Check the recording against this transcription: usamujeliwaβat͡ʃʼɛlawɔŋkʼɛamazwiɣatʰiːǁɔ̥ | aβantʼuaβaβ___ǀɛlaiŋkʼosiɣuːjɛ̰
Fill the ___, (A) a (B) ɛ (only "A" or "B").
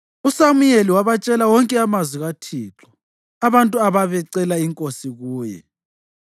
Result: B